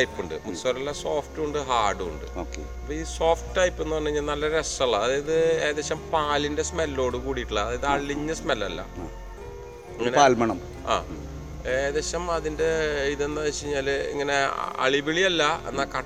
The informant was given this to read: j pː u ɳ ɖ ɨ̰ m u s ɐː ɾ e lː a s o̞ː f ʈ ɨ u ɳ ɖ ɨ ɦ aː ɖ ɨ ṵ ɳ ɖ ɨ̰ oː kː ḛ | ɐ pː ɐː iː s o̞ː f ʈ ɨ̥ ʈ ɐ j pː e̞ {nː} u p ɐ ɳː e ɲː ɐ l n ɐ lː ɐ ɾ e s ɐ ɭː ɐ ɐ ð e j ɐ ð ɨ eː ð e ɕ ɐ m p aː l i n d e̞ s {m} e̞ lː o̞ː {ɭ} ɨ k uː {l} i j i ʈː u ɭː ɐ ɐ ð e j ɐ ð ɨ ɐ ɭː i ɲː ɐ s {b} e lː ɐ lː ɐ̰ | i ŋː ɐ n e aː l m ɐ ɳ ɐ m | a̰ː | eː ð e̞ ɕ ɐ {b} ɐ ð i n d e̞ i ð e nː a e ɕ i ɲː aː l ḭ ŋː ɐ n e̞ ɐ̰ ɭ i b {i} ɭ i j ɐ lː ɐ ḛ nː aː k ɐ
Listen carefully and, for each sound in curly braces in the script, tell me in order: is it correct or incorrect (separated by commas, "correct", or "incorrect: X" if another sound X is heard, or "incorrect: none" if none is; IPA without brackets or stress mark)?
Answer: correct, correct, incorrect: ɽ, incorrect: ɽ, incorrect: m, incorrect: m, correct